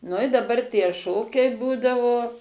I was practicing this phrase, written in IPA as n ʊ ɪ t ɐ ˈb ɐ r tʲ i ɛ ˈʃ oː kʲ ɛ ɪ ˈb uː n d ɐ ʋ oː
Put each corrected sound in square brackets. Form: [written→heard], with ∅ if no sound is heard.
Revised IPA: n ʊ ɪ [t→d] ɐ ˈb ɐ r tʲ i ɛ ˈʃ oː kʲ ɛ ɪ ˈb uː [n→∅] d ɐ ʋ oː